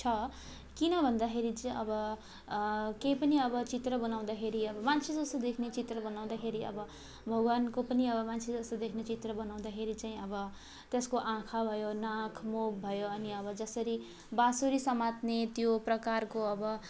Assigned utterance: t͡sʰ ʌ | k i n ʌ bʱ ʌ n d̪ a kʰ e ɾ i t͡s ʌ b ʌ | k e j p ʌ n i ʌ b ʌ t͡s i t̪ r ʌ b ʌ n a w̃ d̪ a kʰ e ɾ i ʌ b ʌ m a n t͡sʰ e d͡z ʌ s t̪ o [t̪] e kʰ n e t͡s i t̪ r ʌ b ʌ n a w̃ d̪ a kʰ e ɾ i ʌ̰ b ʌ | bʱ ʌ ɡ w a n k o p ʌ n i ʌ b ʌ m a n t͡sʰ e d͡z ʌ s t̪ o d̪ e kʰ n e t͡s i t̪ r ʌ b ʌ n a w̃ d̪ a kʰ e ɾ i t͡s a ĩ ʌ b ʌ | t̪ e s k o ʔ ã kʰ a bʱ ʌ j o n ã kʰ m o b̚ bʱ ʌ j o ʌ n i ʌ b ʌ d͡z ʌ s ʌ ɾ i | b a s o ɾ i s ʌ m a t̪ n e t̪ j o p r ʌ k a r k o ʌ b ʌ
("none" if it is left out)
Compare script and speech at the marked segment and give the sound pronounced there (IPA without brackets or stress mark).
d̪